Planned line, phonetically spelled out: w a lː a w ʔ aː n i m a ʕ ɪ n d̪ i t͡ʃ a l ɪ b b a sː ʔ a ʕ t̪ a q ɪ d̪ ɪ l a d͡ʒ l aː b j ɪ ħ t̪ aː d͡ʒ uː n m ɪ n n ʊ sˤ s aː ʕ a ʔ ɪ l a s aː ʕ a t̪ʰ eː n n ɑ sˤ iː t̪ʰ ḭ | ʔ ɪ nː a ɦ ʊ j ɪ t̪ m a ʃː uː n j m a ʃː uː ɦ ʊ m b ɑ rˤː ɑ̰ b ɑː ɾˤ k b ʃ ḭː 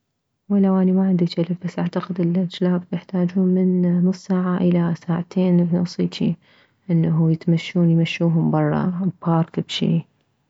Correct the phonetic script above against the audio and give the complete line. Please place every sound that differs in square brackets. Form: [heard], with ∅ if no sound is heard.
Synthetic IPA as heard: w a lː a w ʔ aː n i m a ʕ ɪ n d̪ i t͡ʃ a l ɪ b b a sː ʔ a ʕ t̪ a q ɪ d̪ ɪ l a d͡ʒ l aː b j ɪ ħ t̪ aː d͡ʒ uː n m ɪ n n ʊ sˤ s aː ʕ a ʔ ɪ l a s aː ʕ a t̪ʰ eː n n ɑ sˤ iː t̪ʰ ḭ | ʔ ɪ nː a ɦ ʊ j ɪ t̪ m a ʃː uː n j m a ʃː uː ɦ ʊ m b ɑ rˤː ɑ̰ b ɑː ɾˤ k b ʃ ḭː